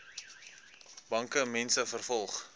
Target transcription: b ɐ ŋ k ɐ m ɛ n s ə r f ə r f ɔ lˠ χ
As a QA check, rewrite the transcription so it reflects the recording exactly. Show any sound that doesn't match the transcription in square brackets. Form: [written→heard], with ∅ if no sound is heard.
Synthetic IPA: b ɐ ŋ k [ɐ→ə] m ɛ n s ə [r→∅] f ə r f ɔ lˠ χ